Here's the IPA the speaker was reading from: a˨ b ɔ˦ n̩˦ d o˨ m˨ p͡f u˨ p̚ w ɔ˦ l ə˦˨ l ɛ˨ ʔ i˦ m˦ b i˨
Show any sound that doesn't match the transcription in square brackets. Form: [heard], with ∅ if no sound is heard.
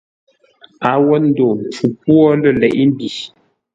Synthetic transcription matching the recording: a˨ [w] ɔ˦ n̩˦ d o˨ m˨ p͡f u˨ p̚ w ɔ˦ l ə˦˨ l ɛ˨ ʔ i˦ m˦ b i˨